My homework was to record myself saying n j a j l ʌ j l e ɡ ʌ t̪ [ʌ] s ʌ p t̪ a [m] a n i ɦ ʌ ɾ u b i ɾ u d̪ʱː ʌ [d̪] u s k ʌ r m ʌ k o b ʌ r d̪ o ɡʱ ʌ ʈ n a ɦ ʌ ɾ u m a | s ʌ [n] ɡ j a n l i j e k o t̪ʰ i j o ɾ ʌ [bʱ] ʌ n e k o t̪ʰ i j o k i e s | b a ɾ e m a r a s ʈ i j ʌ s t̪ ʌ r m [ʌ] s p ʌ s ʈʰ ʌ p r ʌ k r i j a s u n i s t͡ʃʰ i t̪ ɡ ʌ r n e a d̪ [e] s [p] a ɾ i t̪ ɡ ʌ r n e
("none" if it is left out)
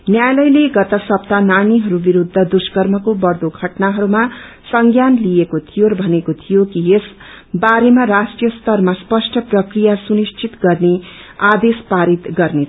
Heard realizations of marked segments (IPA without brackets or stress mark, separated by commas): ʌ, n, d̪, ŋ, bʱ, a, e, p